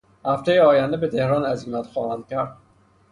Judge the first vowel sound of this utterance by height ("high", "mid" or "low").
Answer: low